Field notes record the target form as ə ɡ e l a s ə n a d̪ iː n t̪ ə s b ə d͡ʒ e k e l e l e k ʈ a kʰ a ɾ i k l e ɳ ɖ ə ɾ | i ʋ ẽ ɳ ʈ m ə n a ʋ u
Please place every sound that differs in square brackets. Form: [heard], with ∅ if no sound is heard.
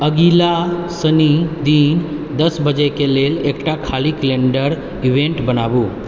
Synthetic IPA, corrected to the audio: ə ɡ [i] l a s ə n [i] d̪ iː n [d̪] ə s b ə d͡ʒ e k e l e l e k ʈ a kʰ a [l] i k l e ɳ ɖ ə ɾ | i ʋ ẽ ɳ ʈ [b] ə n a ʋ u